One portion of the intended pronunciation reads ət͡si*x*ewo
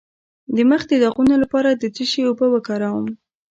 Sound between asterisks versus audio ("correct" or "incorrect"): incorrect